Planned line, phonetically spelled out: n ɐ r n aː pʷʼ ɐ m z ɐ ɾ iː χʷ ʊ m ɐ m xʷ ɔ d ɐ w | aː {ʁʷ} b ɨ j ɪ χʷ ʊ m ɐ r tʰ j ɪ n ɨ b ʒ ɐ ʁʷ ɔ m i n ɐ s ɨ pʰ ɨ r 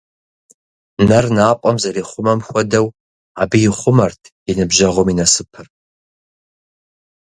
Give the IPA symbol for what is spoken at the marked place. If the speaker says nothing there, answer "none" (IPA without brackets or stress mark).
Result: none